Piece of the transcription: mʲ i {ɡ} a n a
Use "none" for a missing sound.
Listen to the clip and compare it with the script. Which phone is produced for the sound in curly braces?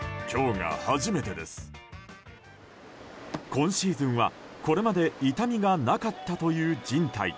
ɡ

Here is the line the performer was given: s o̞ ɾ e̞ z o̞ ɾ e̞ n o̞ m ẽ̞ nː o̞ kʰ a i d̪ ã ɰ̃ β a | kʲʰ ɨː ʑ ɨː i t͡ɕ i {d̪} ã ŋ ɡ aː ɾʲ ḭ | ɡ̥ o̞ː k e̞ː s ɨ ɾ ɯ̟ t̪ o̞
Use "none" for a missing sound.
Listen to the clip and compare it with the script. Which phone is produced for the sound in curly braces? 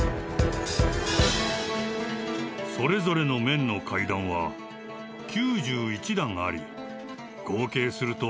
d̪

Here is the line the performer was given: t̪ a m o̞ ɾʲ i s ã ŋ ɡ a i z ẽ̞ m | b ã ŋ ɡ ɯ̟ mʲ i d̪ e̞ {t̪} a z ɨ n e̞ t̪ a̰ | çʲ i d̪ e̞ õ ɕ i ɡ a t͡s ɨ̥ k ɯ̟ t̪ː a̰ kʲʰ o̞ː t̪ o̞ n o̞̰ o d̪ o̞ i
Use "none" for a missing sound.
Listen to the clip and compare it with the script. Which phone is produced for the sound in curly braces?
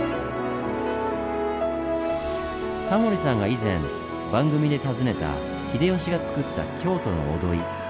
t̪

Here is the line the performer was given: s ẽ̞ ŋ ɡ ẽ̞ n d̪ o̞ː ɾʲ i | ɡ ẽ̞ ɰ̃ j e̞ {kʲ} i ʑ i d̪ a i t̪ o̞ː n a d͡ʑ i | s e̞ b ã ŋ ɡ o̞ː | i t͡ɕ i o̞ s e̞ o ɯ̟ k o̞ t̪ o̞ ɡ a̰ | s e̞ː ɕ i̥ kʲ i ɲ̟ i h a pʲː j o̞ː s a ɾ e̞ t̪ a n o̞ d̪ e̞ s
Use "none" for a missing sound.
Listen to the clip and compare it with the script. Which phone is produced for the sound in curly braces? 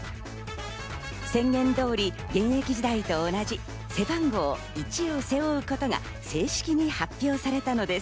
kʲ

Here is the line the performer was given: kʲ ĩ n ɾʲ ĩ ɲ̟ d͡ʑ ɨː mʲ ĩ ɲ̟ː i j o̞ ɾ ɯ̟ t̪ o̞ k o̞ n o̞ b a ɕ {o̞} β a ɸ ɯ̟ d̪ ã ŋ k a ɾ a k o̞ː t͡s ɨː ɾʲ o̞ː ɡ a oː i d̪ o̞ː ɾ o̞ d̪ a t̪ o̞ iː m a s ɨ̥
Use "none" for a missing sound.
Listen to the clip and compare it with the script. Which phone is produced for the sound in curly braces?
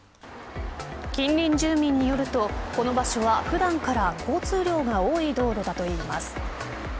o̞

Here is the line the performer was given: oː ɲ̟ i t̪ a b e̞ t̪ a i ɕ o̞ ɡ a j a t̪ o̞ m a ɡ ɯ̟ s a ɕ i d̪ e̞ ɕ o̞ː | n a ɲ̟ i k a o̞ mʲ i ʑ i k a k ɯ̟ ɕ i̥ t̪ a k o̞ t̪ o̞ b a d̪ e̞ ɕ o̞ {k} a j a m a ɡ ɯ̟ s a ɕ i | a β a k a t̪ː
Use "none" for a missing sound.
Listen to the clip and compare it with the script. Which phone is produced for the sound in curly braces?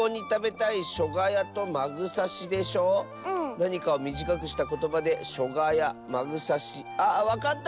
ɡ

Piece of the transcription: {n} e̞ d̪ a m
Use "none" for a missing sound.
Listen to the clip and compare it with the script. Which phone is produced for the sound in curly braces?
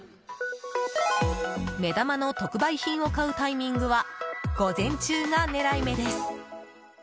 m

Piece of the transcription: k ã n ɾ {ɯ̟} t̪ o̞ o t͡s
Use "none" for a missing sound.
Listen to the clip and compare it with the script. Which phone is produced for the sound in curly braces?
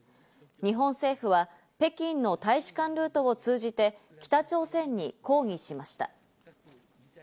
ɯ̟ː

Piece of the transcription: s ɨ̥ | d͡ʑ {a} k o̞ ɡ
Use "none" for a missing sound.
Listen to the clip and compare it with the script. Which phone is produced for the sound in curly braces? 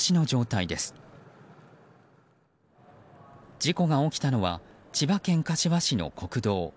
i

